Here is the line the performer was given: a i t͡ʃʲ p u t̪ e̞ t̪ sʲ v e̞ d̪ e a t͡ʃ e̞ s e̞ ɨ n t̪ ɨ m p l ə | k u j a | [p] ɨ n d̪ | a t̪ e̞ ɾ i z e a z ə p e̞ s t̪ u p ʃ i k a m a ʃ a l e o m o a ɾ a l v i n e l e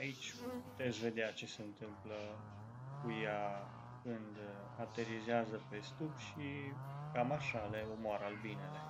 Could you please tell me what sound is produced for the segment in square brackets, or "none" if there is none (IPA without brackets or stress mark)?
k